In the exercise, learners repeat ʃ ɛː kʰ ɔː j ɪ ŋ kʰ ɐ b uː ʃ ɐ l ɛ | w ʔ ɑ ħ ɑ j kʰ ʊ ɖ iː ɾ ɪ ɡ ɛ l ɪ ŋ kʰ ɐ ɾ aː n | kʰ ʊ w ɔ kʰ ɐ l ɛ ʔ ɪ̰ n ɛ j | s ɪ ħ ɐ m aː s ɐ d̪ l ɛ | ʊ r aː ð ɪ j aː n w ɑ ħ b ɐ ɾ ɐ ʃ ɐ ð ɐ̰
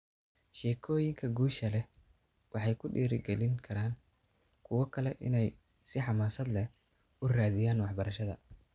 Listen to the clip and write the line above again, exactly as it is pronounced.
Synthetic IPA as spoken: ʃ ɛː kʰ ɔː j ɪ ŋ kʰ ɐ ɡ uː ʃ ɐ l ɛ | w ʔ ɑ ħ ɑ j kʰ ʊ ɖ iː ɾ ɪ ɡ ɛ l ɪ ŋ kʰ ɐ ɾ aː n | kʰ ʊ w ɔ kʰ ɐ l ɛ ʔ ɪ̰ n ɛ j | s ɪ ħ ɑ m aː s ɐ d̪ l ɛ | ʊ r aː ð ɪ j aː n w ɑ ħ b ɐ ɾ ɐ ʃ ɐ ð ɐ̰